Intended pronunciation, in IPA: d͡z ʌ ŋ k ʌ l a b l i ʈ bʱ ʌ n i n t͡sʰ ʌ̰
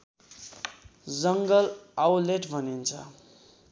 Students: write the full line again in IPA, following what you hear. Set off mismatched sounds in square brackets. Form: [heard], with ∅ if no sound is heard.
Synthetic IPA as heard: d͡z ʌ ŋ [ɡ] ʌ l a [w] l [e] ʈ bʱ ʌ n i n t͡sʰ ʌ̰